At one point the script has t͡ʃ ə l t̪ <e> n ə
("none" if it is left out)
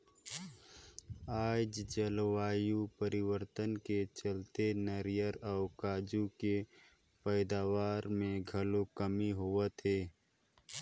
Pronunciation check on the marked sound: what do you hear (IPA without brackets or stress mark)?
e